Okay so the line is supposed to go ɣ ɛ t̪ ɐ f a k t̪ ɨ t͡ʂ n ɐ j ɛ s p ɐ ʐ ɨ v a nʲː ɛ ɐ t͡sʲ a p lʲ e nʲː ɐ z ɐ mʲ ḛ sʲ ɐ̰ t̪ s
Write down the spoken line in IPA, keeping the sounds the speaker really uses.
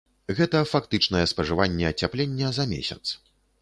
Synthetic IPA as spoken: ɣ ɛ t̪ ɐ f a k t̪ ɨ t͡ʂ n ɐ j ɛ s p ɐ ʐ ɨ v a nʲː ɛ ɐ t͡sʲ a p lʲ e nʲː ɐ z ɐ mʲ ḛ sʲ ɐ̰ t̪ s